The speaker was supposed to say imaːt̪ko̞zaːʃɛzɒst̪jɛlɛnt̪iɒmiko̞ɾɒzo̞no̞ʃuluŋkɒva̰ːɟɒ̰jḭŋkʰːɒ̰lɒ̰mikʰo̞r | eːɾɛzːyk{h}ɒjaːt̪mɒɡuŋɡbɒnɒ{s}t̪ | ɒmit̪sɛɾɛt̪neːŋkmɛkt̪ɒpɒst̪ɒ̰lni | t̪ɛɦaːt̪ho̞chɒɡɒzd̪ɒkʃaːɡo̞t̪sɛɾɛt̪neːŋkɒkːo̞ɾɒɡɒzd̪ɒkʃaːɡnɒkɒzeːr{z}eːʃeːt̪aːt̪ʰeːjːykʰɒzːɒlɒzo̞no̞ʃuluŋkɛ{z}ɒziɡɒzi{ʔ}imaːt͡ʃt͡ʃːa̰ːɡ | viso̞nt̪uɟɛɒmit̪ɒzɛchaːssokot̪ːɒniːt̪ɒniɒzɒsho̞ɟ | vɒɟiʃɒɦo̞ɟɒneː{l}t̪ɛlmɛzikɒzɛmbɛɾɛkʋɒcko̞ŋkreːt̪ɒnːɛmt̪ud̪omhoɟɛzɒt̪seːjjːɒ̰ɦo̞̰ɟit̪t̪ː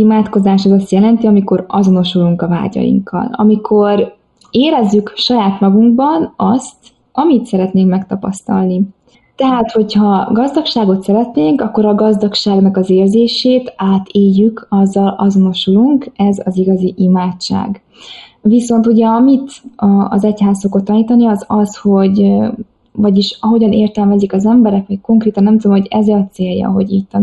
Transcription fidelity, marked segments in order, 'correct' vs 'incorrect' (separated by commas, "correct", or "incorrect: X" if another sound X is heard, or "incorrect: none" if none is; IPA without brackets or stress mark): incorrect: ʃ, correct, correct, correct, correct, incorrect: r